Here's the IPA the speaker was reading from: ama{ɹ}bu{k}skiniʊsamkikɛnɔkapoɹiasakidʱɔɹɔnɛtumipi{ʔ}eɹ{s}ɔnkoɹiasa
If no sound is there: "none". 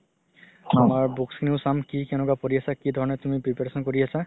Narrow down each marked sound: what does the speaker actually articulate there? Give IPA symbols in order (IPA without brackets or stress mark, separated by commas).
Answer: ɹ, k, p, s